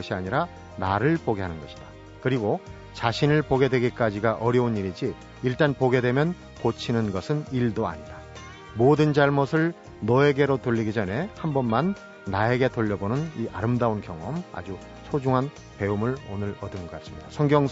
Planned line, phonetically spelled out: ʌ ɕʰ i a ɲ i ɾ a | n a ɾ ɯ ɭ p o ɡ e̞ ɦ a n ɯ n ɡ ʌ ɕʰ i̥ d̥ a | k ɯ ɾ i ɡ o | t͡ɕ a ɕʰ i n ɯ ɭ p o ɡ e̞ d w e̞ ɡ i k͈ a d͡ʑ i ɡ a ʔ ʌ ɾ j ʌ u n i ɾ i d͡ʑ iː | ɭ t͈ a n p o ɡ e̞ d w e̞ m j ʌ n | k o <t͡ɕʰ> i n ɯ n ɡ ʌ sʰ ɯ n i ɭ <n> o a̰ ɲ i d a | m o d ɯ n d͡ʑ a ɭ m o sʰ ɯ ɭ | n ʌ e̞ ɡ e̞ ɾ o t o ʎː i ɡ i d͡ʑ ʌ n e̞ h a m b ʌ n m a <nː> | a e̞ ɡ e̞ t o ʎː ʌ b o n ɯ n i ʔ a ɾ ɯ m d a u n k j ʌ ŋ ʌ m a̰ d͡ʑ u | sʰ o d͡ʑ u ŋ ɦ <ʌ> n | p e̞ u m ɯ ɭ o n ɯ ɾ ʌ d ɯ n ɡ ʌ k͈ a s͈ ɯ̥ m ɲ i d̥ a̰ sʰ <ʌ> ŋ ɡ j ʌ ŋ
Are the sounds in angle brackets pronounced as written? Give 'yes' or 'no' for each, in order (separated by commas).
yes, no, yes, no, yes